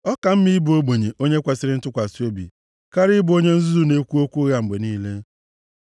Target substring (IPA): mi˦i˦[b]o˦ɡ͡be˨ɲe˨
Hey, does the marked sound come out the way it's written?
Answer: yes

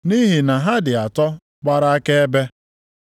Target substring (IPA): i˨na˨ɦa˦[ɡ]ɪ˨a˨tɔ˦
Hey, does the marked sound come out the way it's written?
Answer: no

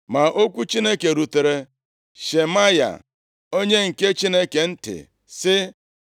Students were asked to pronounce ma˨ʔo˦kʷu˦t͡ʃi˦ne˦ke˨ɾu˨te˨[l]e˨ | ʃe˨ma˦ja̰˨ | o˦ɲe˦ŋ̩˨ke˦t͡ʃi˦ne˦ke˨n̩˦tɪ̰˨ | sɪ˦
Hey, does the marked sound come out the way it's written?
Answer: no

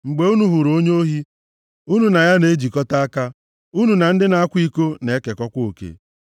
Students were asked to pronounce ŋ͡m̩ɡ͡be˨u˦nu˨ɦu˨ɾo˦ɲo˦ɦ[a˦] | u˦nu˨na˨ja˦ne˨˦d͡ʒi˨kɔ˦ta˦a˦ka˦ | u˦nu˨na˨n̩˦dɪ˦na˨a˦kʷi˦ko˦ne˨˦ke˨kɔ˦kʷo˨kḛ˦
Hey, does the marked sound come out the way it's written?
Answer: no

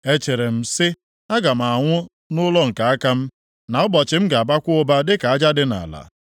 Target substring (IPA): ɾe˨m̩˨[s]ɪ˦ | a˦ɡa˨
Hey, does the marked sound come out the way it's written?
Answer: yes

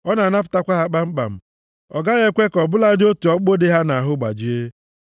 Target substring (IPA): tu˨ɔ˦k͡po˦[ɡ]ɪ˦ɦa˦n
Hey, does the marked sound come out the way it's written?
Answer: no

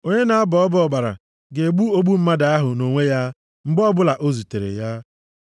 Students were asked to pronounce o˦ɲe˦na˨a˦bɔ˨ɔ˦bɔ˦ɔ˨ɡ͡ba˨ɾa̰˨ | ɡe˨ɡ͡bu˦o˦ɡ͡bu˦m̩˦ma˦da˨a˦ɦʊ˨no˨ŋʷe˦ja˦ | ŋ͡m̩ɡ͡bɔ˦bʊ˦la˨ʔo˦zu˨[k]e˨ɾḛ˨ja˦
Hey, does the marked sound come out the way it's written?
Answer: no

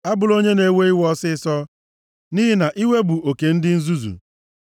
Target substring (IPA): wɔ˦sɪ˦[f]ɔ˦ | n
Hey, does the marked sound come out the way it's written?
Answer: no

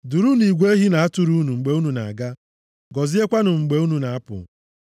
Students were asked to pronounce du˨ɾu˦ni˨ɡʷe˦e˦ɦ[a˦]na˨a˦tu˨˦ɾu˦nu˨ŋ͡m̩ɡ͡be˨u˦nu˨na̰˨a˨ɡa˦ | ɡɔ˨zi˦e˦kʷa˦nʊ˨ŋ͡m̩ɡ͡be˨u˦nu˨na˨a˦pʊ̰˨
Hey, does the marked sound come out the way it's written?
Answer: no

